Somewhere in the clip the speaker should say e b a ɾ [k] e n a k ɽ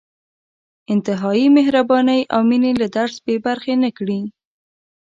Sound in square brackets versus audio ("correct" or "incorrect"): incorrect